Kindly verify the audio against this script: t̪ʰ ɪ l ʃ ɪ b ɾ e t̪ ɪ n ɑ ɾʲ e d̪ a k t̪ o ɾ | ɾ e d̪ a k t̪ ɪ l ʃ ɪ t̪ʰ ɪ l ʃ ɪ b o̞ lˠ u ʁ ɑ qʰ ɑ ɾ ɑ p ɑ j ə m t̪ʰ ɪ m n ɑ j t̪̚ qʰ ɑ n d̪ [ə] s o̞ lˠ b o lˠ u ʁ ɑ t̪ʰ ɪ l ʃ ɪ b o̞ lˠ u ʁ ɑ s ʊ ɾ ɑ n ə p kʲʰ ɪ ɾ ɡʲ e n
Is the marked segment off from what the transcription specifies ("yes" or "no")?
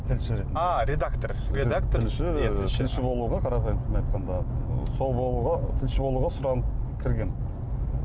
yes